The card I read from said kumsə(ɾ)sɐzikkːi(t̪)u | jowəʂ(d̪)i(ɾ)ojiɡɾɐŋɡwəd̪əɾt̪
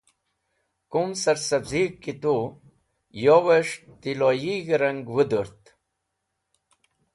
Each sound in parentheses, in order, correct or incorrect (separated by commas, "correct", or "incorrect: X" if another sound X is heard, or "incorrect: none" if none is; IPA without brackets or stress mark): correct, correct, incorrect: t̪, incorrect: l